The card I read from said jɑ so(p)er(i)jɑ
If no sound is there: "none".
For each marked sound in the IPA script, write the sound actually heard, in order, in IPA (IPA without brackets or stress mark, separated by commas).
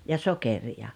k, i